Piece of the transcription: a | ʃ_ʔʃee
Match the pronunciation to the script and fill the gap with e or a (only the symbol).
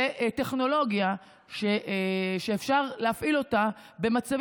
e